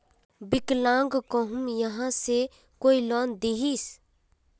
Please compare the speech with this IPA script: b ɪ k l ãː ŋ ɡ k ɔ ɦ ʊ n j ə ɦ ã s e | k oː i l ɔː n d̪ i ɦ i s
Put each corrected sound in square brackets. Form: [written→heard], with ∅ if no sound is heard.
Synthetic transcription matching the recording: b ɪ k l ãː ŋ ɡ k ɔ ɦ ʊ [n→m] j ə ɦ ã s e | k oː i l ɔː n d̪ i ɦ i s